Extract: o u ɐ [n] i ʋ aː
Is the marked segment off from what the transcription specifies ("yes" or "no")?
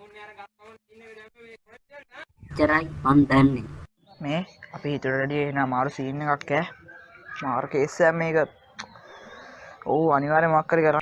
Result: no